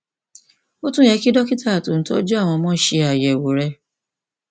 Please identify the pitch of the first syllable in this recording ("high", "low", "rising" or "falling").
high